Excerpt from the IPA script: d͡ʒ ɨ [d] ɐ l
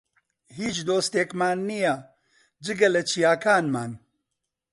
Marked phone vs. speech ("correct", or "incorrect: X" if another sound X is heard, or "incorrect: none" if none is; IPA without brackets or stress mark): incorrect: ɡ